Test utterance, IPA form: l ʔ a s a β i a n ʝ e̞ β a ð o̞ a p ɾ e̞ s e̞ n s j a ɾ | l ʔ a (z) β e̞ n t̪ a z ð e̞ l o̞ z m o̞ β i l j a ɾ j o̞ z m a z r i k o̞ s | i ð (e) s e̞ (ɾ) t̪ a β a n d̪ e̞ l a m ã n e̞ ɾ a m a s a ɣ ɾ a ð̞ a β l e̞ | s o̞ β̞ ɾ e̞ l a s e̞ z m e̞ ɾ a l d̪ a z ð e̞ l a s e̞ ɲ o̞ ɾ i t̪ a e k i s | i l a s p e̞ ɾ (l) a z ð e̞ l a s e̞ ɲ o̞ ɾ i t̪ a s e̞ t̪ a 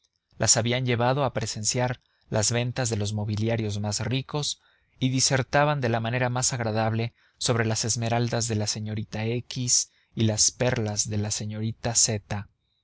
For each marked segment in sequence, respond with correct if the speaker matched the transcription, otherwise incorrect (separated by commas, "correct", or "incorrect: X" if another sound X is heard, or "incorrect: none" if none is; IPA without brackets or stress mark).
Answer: correct, incorrect: i, correct, correct